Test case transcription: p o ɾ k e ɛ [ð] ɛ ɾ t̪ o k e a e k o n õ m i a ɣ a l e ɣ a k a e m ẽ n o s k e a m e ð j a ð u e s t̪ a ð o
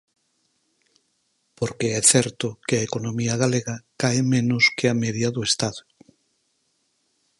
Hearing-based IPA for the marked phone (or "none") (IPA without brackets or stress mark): θ